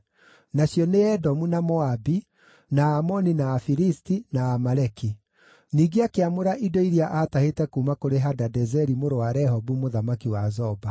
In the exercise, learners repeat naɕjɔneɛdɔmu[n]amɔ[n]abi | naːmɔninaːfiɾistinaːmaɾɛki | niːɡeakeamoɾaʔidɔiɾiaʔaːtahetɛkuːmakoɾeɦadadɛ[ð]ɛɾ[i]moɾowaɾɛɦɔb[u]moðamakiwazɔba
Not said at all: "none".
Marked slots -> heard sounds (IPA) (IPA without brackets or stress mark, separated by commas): n, none, z, i, u